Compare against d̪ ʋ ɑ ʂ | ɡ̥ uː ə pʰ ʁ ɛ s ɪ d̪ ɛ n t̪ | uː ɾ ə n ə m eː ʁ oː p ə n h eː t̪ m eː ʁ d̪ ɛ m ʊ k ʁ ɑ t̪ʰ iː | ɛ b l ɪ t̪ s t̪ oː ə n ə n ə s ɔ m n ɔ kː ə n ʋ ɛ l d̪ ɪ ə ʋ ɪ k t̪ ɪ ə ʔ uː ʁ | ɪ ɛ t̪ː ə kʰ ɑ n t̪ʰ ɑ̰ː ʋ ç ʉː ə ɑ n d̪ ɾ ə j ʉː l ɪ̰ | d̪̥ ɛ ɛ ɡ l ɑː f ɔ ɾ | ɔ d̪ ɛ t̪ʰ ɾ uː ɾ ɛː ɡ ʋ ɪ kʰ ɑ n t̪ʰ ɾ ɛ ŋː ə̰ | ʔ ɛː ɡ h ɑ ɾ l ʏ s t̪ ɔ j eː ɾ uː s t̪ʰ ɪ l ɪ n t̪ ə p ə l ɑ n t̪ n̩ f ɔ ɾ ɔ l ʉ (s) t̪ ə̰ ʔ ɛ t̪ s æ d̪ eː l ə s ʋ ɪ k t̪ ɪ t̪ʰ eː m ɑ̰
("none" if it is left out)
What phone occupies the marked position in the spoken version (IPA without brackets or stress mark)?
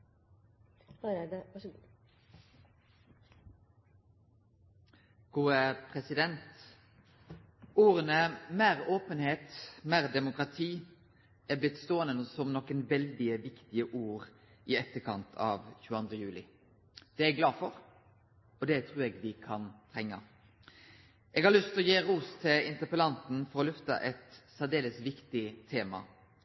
f